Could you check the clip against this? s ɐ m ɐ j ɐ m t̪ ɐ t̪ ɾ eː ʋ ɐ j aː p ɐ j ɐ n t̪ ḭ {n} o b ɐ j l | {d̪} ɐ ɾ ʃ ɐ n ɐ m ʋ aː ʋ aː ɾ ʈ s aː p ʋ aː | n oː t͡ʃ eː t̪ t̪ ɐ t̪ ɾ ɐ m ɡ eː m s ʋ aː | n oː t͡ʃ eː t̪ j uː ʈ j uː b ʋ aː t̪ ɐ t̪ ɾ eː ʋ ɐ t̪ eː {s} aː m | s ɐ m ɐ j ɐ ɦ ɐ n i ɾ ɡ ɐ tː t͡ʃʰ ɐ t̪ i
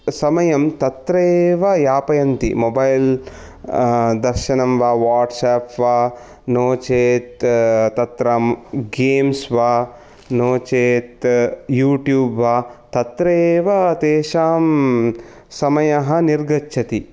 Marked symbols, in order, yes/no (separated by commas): no, yes, no